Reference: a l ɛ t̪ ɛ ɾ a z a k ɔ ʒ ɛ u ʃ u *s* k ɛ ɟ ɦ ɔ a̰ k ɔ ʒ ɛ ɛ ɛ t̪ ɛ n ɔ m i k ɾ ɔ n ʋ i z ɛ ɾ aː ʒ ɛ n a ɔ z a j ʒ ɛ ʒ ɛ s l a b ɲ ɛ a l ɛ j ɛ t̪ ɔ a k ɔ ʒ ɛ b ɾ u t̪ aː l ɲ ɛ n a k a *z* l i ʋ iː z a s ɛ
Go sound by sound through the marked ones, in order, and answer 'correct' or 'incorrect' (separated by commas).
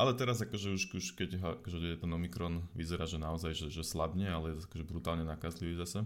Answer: incorrect, correct